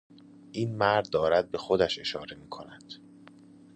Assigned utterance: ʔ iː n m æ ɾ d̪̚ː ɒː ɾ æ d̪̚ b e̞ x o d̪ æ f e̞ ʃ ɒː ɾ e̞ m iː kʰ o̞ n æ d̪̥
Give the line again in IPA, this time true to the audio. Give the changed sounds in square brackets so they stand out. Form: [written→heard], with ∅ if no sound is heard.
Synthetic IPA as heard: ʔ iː n m æ ɾ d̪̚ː ɒː ɾ æ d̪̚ b e̞ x o d̪ æ [f→ʃ] e̞ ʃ ɒː ɾ e̞ m iː kʰ o̞ n æ d̪̥

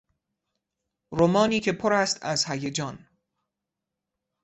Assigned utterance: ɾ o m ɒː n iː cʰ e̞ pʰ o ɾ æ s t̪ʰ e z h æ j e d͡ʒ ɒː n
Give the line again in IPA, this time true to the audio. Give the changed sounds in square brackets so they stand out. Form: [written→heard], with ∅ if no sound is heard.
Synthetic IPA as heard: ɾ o m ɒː n iː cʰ e̞ pʰ o ɾ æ s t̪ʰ [e→æ] z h æ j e d͡ʒ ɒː n

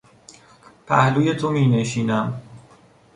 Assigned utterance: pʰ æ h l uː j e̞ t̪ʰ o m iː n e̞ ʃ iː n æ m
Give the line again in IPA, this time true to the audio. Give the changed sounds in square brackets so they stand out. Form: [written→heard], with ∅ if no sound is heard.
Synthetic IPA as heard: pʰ æ h l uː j e̞ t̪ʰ o m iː n e̞ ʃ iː n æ m

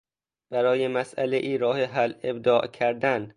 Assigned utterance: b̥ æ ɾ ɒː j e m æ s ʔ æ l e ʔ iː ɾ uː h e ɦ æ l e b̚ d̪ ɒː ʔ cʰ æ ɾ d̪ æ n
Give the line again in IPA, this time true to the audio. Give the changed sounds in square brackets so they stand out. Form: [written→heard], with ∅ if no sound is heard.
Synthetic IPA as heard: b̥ æ ɾ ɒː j e m æ s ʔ æ l e ʔ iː ɾ [uː→ɒː] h e ɦ æ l e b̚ d̪ ɒː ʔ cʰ æ ɾ d̪ æ n

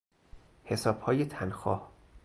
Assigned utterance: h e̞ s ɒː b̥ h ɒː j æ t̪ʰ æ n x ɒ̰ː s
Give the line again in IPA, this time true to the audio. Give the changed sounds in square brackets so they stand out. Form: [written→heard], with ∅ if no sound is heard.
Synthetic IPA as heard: h e̞ s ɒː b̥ h ɒː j [æ→e] t̪ʰ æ n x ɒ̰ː [s→h]

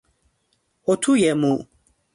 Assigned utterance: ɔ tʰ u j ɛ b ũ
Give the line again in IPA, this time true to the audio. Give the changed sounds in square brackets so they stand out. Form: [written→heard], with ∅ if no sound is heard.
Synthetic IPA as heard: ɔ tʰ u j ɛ [b→m] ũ

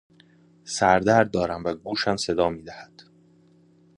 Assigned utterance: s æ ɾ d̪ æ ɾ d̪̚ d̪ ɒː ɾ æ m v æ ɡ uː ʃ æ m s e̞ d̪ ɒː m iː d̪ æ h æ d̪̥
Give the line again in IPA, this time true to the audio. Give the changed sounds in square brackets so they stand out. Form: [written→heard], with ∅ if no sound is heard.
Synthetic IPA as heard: s æ ɾ d̪ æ ɾ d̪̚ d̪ ɒː ɾ æ m v æ ɡ uː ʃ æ m s e̞ d̪ ɒː m iː d̪ æ h æ d̪̥

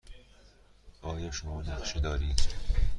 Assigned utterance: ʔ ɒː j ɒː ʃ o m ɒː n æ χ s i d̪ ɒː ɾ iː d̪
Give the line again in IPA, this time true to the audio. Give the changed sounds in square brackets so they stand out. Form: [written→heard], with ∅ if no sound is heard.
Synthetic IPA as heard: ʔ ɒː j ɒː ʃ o m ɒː n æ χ [s→ʃ] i d̪ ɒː ɾ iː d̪

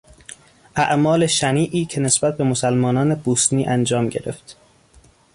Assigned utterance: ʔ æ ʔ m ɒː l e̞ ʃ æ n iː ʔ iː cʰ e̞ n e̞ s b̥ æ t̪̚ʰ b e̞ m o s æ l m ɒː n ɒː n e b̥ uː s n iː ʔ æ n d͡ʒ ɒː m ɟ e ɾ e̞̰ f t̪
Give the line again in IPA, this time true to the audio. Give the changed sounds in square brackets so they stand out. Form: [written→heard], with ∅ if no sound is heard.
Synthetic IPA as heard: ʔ æ ʔ m ɒː l e̞ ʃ æ n iː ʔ iː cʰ e̞ n e̞ s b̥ æ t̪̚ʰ b e̞ m o s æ l m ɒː n ɒː n e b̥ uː s n iː ʔ æ n d͡ʒ ɒː m ɟ e ɾ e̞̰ f t̪

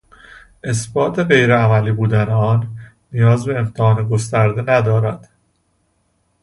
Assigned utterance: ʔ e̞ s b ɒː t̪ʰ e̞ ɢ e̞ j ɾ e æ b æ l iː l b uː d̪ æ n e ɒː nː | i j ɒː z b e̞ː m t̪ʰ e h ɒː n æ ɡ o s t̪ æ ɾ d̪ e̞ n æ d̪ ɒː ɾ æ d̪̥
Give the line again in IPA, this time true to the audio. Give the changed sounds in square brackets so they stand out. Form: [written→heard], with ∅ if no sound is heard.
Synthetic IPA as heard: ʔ e̞ s b ɒː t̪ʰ e̞ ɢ e̞ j ɾ e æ [b→m] æ l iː [l→∅] b uː d̪ æ n e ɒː nː | i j ɒː z b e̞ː m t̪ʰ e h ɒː n [æ→e] ɡ o s t̪ æ ɾ d̪ e̞ n æ d̪ ɒː ɾ æ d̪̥

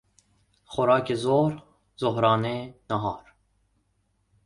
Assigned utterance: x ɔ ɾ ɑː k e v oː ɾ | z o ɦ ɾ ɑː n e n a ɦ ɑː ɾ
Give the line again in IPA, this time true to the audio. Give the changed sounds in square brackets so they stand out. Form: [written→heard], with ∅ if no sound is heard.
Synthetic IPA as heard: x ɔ ɾ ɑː k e [v→z] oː ɾ | z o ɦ ɾ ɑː n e n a ɦ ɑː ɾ

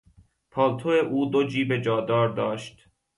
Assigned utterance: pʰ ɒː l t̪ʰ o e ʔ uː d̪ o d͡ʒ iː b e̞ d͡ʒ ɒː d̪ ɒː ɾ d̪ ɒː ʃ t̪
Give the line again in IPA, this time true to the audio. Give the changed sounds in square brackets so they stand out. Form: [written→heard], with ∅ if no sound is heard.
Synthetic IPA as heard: pʰ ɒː l t̪ʰ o e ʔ uː d̪ o d͡ʒ iː b e̞ d͡ʒ ɒː d̪ ɒː ɾ d̪ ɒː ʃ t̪

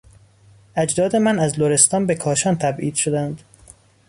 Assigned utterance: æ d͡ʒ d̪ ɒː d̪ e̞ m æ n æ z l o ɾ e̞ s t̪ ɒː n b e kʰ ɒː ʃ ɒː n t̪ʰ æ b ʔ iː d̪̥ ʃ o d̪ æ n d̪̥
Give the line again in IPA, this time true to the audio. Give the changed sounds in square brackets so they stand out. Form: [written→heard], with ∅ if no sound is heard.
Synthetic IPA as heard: æ d͡ʒ d̪ ɒː d̪ e̞ m æ n æ z l o ɾ e̞ s t̪ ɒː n b e kʰ ɒː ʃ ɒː n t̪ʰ æ b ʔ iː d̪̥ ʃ o d̪ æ n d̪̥

